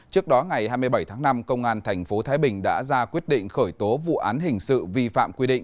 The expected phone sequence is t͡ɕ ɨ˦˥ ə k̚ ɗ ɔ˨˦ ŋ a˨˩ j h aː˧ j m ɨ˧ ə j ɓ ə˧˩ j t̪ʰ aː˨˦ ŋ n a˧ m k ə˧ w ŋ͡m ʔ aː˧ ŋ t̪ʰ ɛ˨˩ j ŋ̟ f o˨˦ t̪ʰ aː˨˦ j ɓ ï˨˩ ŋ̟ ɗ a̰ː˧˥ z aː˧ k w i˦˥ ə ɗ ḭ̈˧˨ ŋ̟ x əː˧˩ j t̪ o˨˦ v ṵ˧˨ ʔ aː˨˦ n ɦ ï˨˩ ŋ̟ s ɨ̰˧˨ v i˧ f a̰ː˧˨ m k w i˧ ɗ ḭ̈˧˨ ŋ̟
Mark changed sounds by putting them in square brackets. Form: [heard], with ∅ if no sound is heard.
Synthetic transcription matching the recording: t͡ɕ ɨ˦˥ ə k̚ ɗ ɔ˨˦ ŋ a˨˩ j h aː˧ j m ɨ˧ ə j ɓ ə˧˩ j t̪ʰ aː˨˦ ŋ n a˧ m k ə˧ w ŋ͡m ʔ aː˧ [n] t̪ʰ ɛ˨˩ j ŋ̟ f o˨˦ t̪ʰ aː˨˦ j ɓ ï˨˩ ŋ̟ ɗ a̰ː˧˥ z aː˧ k w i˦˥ ə ɗ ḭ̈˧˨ ŋ̟ x əː˧˩ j t̪ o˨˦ v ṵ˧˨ ʔ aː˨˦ n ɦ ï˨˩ ŋ̟ s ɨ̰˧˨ v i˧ f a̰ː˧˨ m k w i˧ ɗ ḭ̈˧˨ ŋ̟

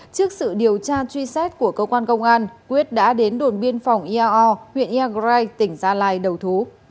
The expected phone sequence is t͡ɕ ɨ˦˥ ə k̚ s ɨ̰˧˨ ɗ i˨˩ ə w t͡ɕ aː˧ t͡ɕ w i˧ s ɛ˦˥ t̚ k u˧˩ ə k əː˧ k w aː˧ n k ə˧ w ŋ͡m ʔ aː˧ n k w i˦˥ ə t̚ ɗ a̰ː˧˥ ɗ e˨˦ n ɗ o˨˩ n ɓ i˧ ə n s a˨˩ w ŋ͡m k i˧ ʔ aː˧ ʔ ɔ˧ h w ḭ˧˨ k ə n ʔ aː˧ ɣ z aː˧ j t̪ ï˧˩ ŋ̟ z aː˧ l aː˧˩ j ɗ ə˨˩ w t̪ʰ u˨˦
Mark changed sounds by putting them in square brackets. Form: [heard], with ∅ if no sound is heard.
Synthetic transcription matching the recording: t͡ɕ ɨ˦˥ ə k̚ s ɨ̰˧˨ ɗ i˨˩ ə w t͡ɕ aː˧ t͡ɕ w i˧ s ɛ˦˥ t̚ k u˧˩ ə k əː˧ k w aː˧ n k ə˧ w ŋ͡m ʔ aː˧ n k w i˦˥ ə t̚ ɗ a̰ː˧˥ ɗ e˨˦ n ɗ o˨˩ n ɓ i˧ ə n [f] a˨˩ w ŋ͡m [ʔ] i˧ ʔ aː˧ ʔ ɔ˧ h w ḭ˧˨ [∅] ə n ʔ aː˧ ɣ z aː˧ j t̪ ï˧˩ ŋ̟ z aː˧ l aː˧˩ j ɗ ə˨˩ w t̪ʰ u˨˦

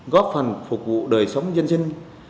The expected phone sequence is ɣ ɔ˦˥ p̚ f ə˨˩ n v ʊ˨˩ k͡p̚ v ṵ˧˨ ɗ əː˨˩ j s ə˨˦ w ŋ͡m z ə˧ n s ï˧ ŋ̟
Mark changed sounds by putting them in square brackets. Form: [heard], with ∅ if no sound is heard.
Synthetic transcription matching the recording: ɣ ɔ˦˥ p̚ f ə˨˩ n [f] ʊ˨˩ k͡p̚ v ṵ˧˨ ɗ əː˨˩ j s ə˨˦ w ŋ͡m z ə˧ n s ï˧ ŋ̟

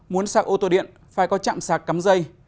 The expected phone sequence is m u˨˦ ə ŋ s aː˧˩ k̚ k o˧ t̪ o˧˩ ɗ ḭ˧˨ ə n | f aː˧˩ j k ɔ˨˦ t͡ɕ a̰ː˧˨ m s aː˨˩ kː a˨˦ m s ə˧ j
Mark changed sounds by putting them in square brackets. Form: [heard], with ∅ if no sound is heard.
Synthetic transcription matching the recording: m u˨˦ ə [n] s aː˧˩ k̚ [ʔ] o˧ t̪ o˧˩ ɗ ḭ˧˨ ə n | f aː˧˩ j k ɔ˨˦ t͡ɕ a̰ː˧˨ m s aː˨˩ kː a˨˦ m [z] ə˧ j

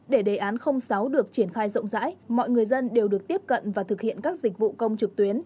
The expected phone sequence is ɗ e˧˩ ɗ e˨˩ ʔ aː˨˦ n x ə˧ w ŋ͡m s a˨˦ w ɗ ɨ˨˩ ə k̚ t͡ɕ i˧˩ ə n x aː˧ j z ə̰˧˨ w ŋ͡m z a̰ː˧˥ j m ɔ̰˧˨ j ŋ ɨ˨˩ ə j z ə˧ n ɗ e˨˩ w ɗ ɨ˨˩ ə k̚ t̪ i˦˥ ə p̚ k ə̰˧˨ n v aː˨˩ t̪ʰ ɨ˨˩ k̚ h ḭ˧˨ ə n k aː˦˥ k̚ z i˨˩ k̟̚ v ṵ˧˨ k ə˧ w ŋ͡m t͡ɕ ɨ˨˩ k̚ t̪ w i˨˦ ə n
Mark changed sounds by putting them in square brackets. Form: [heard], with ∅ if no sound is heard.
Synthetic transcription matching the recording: ɗ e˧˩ ɗ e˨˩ ʔ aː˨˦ n x ə˧ w ŋ͡m s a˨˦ w ɗ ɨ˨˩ ə k̚ t͡ɕ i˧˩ ə n x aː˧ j z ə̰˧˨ w ŋ͡m z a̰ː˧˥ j m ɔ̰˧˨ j ŋ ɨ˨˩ ə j z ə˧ n ɗ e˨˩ w ɗ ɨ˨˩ ə k̚ t̪ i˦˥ ə p̚ k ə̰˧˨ n v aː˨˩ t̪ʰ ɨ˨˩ k̚ h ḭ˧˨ ə n k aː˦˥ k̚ z i˨˩ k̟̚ v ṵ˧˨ k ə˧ w ŋ͡m t͡ɕ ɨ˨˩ k̚ t̪ w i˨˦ ə n

